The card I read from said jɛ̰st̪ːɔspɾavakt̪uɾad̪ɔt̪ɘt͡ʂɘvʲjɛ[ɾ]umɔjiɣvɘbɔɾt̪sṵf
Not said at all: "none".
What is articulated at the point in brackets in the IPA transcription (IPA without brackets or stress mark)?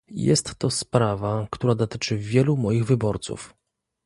l